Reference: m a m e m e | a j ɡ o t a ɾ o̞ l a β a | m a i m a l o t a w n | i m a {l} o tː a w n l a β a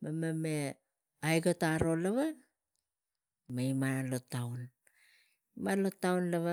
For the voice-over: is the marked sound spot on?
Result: yes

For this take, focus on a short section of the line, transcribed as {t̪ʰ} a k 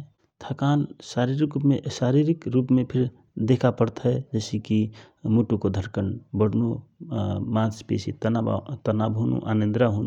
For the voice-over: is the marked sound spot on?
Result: yes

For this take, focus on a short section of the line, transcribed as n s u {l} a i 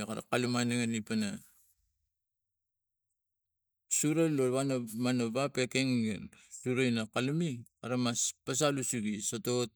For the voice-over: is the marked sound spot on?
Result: no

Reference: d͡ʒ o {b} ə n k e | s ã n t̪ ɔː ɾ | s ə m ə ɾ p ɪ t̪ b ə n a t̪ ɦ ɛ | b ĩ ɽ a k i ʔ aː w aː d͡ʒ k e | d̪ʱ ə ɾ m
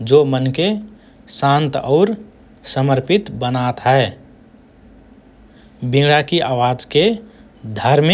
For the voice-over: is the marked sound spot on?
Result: no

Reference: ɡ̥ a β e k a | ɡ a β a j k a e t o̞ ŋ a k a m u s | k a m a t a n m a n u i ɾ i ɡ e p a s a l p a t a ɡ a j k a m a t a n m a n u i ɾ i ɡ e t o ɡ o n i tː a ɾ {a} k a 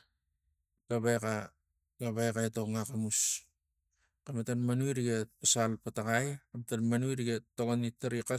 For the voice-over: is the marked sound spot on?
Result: no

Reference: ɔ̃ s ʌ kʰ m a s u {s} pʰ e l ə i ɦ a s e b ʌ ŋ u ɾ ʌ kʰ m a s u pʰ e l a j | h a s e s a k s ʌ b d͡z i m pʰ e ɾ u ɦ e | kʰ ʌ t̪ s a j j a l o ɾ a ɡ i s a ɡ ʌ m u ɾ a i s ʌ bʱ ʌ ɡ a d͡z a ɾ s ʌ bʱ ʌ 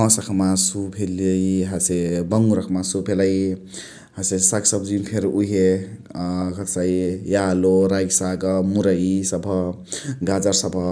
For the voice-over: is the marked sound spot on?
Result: no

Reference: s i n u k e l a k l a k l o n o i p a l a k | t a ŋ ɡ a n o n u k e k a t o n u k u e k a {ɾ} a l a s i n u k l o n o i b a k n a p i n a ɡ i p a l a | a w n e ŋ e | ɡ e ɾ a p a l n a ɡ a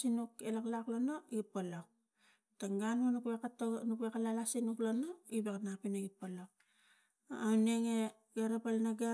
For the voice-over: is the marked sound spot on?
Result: no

